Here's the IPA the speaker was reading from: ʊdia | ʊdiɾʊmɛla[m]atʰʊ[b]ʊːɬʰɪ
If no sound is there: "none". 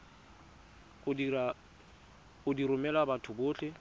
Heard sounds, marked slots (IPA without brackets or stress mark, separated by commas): b, b